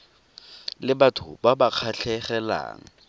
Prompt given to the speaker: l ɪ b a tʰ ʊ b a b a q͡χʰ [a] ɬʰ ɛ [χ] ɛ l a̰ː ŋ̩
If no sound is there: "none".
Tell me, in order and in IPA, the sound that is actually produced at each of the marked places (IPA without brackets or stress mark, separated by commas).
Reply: a, χ